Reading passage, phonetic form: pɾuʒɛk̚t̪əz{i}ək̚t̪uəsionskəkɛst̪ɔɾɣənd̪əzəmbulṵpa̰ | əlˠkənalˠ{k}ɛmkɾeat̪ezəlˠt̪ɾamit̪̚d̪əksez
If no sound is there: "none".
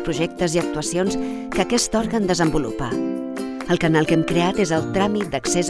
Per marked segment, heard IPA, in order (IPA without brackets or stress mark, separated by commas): i, k